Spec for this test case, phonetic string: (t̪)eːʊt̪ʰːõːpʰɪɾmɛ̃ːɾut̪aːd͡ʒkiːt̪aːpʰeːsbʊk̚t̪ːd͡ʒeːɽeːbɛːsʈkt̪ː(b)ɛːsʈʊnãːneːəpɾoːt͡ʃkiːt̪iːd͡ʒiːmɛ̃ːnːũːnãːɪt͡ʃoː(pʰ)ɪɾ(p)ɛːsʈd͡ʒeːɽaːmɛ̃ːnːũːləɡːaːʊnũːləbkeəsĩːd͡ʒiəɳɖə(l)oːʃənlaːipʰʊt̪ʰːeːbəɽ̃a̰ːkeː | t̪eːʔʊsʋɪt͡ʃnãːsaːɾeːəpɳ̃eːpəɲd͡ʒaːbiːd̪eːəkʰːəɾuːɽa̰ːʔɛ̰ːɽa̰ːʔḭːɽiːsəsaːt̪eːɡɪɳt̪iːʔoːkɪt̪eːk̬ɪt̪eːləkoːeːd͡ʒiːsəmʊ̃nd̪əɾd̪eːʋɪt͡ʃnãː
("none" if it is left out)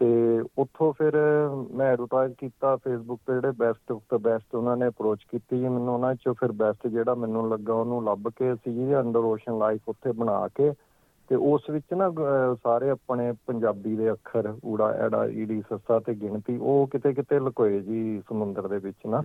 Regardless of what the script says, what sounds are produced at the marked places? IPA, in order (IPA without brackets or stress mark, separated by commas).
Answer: t̪, b, pʰ, b, ɾ